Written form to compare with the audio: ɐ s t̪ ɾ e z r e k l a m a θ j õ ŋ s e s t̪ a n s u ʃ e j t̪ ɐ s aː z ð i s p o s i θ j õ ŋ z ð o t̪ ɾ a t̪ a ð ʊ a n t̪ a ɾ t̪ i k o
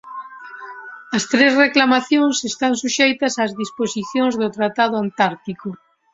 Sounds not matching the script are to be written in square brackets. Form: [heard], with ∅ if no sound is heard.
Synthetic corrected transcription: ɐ s t̪ ɾ e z r e k l a m a θ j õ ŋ s e s t̪ a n s u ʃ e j t̪ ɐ s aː z ð i s p o s i θ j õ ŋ z ð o t̪ ɾ a t̪ a ð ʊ a n t̪ a ɾ t̪ i k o